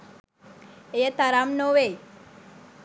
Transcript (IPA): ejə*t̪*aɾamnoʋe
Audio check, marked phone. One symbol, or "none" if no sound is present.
t̪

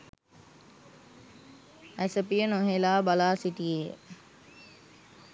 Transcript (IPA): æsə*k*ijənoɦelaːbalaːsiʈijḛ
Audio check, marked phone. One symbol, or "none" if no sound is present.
p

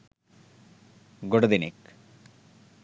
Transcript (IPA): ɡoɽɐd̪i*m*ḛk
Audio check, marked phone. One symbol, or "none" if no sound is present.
n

